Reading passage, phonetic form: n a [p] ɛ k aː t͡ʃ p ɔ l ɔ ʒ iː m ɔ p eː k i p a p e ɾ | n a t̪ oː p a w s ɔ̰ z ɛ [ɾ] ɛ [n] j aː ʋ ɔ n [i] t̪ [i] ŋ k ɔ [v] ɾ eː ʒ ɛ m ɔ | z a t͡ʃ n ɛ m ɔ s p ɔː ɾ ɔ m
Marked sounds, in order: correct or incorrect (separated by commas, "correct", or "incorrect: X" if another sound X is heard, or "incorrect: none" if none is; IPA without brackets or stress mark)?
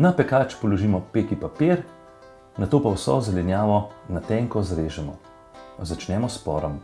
correct, incorrect: l, correct, incorrect: a, incorrect: ɛ, incorrect: z